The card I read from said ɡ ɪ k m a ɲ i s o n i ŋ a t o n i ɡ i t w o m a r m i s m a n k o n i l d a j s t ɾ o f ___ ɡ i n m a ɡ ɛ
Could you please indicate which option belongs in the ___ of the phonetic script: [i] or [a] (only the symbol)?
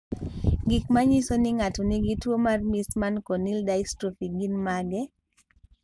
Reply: i